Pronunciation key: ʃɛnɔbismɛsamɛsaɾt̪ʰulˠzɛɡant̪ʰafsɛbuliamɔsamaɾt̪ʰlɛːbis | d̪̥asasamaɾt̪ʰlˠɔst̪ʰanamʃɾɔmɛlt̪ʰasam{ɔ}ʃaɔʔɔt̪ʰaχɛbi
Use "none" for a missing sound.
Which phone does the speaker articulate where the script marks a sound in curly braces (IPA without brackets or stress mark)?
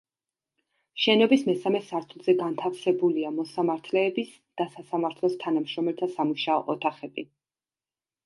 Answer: u